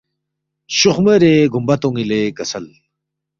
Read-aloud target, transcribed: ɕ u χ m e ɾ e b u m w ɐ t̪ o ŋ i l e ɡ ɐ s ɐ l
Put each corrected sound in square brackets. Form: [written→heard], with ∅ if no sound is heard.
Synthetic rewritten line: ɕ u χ m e ɾ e [b→ɡ] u m [w→b] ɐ t̪ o ŋ i l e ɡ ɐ s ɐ l